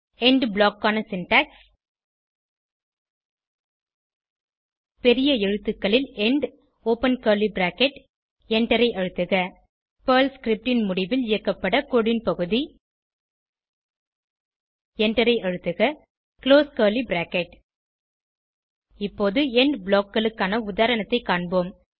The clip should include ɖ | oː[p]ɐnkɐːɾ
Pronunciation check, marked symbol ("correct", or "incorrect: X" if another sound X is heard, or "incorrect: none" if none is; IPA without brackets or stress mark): correct